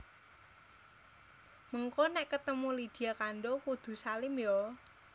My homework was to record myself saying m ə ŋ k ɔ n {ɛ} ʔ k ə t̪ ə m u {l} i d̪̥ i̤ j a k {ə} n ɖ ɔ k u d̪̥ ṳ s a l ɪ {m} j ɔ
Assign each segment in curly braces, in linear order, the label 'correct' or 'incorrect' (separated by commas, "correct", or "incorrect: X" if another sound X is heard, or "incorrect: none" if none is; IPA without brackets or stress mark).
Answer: correct, correct, incorrect: a, correct